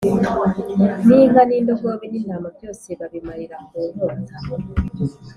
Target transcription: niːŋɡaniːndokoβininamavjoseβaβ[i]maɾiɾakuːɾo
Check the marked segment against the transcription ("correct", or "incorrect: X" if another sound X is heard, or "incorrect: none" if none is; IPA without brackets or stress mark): correct